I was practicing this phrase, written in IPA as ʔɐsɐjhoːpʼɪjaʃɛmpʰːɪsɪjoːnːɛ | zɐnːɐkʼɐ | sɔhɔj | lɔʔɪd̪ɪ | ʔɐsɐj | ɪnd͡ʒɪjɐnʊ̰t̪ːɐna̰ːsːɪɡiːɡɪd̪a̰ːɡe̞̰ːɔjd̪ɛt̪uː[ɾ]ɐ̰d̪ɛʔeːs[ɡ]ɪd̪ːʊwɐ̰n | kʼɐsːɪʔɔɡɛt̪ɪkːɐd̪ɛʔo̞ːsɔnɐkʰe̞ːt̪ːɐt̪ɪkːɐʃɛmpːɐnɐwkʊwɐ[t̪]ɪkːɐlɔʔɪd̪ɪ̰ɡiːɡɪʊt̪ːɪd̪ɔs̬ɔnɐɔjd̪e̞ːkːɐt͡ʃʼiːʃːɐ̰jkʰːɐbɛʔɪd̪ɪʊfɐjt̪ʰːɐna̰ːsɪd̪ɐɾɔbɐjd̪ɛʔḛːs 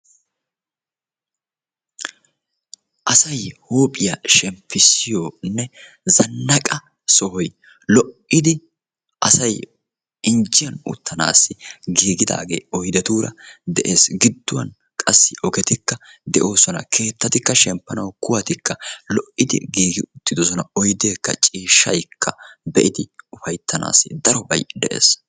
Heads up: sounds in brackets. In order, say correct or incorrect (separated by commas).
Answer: correct, correct, correct